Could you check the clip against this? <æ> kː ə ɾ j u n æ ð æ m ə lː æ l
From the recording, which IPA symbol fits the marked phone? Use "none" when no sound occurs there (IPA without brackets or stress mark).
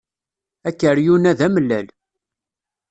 æ